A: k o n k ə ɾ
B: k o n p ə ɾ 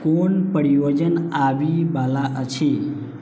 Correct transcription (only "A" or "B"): B